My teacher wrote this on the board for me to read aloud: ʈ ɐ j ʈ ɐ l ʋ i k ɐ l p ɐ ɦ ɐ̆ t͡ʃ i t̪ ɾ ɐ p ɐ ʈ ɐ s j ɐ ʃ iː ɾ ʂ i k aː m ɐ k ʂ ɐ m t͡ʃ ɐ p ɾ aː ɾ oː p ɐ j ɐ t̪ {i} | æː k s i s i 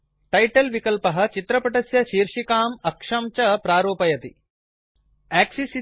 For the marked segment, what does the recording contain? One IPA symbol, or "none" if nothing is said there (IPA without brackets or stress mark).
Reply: i